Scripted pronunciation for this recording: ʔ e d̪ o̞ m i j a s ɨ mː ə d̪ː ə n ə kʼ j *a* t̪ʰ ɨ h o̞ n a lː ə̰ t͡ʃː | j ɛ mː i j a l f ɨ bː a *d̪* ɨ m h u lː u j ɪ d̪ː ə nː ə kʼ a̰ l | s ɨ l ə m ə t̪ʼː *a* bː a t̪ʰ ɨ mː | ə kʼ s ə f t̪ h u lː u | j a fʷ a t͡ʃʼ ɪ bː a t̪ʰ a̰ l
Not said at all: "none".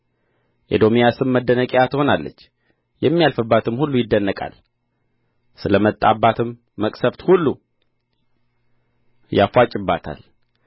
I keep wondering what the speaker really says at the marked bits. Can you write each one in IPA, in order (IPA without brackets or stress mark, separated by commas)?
a, t̪, a